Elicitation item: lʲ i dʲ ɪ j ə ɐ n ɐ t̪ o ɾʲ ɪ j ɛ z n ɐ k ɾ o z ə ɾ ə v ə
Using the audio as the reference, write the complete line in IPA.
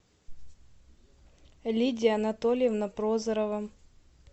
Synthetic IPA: lʲ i dʲ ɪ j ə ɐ n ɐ t̪ o lʲ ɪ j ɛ v n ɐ p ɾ o z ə ɾ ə v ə